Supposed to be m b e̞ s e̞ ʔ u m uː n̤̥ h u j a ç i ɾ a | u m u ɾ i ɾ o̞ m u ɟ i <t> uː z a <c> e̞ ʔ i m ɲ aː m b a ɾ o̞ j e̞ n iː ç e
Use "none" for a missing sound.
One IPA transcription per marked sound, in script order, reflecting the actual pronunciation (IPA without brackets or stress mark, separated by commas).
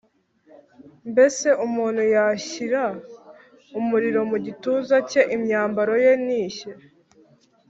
t, c